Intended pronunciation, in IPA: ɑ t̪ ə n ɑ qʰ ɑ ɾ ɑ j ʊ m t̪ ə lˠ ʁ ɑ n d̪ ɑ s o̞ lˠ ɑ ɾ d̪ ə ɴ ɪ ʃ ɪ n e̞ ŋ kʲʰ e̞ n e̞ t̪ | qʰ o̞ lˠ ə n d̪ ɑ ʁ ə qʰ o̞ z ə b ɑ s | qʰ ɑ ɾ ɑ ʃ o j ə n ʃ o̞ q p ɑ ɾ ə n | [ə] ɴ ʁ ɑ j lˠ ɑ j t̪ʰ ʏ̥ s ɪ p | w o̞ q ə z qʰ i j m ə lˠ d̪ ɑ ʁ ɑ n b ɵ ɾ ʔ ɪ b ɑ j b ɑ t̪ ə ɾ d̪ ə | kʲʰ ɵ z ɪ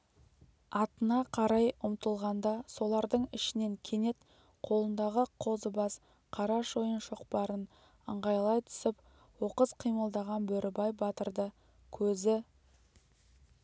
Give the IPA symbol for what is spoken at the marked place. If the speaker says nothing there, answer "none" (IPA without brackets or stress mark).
ə